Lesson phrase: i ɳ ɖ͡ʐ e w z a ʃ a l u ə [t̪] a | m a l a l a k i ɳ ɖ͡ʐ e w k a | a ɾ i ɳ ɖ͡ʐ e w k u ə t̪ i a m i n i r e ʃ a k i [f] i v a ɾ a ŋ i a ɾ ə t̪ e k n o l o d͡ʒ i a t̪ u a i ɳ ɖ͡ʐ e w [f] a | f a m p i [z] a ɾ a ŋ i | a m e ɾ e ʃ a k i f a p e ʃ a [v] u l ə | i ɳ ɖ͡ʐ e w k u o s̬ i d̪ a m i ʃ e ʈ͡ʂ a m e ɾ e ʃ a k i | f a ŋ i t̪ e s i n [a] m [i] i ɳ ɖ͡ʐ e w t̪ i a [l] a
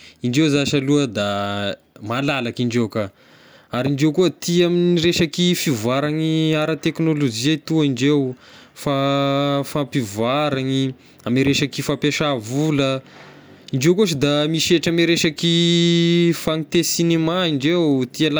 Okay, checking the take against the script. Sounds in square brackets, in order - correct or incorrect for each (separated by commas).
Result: incorrect, correct, correct, incorrect, correct, incorrect, incorrect, correct